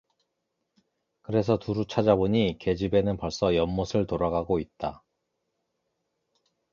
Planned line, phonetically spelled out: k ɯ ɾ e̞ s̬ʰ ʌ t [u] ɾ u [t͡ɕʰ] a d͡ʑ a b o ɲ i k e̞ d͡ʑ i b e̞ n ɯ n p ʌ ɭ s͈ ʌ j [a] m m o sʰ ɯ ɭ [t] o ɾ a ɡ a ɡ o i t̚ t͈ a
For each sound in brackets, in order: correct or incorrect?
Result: correct, correct, incorrect: ʌ, correct

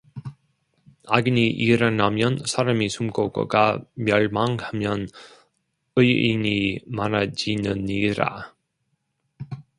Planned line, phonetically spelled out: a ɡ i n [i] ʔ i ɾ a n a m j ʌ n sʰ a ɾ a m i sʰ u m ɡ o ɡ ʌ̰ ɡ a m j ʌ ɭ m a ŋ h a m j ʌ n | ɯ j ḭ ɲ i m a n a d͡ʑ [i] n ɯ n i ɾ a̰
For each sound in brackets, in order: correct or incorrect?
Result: correct, correct

